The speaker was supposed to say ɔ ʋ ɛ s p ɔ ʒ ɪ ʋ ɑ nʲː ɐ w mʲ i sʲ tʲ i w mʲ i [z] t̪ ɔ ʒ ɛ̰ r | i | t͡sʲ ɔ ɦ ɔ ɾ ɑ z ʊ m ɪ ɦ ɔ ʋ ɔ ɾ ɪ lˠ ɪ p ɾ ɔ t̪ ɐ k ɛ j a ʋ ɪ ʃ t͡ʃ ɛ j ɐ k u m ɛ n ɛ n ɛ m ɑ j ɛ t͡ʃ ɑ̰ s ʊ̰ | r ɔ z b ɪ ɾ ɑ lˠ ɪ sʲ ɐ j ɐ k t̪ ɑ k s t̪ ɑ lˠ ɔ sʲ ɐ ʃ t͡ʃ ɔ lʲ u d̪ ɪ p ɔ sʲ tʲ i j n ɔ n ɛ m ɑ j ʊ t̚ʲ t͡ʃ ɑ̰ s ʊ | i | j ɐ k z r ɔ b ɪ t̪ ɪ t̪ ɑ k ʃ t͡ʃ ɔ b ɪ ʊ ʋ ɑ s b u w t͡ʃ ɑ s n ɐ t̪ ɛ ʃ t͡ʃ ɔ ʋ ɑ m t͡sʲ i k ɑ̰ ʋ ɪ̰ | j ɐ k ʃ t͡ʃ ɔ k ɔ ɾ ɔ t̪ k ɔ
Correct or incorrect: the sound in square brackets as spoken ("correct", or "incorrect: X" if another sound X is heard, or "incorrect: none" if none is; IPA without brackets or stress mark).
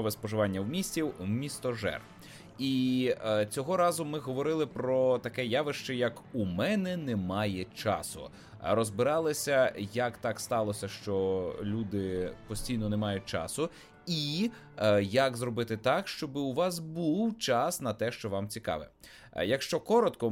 incorrect: s